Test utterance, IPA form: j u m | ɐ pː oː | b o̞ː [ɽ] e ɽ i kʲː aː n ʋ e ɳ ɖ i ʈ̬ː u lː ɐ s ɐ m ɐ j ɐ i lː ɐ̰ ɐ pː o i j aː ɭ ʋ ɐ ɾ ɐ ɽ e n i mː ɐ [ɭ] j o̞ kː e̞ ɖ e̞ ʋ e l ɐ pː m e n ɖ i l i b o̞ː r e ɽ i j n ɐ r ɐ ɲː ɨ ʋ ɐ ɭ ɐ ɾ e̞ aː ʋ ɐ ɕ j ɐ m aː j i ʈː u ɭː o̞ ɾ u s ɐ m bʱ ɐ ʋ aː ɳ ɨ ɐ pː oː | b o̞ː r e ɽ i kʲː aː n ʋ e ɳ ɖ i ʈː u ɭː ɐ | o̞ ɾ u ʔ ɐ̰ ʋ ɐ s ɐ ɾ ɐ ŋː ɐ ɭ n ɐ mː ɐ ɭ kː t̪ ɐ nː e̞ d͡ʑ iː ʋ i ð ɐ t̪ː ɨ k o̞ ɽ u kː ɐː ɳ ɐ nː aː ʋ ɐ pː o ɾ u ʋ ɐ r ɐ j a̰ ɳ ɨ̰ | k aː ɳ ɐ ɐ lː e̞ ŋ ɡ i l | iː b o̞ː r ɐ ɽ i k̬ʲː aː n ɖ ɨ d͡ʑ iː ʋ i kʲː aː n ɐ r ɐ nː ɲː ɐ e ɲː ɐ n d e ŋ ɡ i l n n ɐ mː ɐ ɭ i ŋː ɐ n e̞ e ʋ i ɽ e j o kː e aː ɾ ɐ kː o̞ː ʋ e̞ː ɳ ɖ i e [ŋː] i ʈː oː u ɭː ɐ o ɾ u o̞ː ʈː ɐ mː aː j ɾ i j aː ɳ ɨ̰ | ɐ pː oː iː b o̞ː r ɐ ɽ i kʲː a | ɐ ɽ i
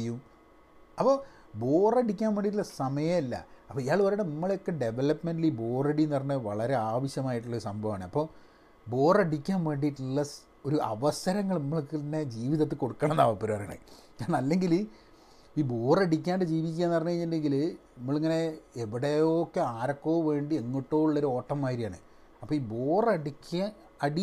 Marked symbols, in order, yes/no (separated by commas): no, yes, yes